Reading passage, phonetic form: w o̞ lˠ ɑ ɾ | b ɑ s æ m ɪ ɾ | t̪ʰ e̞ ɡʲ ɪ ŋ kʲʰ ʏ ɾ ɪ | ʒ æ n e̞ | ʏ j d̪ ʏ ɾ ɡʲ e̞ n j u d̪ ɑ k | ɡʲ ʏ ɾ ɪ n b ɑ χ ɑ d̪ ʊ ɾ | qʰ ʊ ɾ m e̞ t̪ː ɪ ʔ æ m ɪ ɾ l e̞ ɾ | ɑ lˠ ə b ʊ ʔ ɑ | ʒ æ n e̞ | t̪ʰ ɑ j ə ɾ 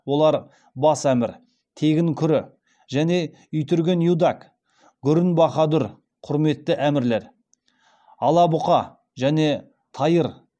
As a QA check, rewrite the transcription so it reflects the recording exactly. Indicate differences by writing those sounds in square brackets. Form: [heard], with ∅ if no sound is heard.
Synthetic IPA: w o̞ lˠ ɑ ɾ | b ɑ s æ m ɪ ɾ | t̪ʰ e̞ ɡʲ ɪ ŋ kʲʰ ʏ ɾ ɪ | ʒ æ n e̞ | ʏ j [t̪] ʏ ɾ ɡʲ e̞ n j u d̪ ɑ k | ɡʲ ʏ ɾ ɪ n b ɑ χ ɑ d̪ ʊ ɾ | qʰ ʊ ɾ m e̞ t̪ː ɪ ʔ æ m ɪ ɾ l e̞ ɾ | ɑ lˠ [ɑ] b ʊ [q] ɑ | ʒ æ n e̞ | t̪ʰ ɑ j ə ɾ